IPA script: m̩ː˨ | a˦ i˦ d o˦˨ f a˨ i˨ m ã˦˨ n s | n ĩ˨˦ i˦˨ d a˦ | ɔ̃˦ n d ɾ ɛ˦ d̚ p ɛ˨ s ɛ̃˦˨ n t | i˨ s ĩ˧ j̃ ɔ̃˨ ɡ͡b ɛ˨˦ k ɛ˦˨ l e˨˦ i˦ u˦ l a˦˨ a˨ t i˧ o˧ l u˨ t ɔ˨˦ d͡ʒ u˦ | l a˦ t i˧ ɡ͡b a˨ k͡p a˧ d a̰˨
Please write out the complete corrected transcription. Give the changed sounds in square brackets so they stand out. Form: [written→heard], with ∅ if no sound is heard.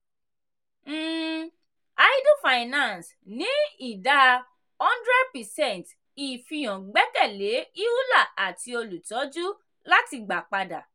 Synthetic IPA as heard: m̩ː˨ | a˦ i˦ d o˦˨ f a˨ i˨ [m→n] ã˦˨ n s | n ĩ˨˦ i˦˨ d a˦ | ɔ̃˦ n d ɾ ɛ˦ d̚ p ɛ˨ s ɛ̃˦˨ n t | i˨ [s→f] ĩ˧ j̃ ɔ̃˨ ɡ͡b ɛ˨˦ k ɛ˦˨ l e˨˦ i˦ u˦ l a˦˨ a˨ t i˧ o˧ l u˨ t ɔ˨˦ d͡ʒ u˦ | l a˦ t i˧ ɡ͡b a˨ k͡p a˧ d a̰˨

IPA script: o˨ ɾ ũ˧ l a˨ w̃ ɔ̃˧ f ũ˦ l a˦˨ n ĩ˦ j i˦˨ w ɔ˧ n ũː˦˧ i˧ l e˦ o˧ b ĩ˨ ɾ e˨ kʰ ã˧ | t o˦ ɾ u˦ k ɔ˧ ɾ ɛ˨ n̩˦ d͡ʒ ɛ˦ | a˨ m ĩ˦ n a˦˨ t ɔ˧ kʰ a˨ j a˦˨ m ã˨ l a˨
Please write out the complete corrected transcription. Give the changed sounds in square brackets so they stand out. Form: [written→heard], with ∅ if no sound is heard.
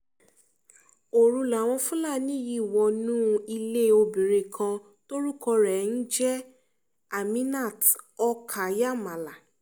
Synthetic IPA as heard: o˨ ɾ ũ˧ l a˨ w̃ ɔ̃˧ f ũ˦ l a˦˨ n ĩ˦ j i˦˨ w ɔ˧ n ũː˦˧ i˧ l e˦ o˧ b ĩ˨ ɾ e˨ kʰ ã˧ | t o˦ ɾ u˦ k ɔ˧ ɾ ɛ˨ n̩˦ d͡ʒ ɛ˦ | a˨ m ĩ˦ n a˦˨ t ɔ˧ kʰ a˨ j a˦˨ m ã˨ l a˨

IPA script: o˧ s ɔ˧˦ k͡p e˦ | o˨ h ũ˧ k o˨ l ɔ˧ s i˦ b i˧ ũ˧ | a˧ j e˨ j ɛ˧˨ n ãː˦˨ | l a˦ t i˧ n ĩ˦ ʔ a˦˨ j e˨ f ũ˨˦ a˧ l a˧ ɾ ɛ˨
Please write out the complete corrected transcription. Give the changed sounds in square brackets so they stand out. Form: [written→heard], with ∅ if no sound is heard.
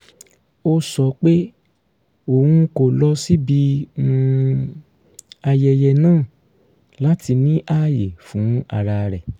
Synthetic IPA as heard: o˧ s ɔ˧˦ k͡p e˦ | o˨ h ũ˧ k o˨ l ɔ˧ s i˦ b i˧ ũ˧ | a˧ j [e˨→ɛ˨] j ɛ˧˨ n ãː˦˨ | l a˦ t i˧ n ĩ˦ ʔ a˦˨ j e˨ f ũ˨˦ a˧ [l→ɾ] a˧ ɾ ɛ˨

